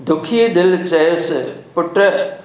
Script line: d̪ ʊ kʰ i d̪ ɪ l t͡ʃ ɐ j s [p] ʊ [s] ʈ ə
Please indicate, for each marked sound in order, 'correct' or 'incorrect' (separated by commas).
correct, incorrect